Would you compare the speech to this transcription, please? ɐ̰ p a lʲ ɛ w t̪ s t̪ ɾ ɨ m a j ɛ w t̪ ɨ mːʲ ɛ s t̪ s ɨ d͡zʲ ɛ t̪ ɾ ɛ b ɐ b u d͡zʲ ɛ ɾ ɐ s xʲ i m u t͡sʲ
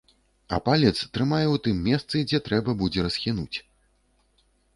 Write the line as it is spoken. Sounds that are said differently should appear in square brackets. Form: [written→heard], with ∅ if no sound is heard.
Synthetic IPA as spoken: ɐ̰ p a lʲ ɛ [w→∅] t̪ s t̪ ɾ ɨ m a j ɛ w t̪ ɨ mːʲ ɛ s t̪ s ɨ d͡zʲ ɛ t̪ ɾ ɛ b ɐ b u d͡zʲ ɛ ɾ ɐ s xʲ i [m→n] u t͡sʲ